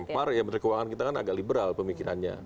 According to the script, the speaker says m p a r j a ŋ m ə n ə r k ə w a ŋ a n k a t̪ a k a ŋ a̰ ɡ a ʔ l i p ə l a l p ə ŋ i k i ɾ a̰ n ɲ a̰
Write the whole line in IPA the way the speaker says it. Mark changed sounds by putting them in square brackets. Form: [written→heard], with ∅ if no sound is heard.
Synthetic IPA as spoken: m p a r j a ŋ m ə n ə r k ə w a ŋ a n k [a→i] t̪ a k a [ŋ→n] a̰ ɡ a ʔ l i [p→b] ə [l→ɾ] a l p ə [ŋ→m] i k i ɾ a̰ n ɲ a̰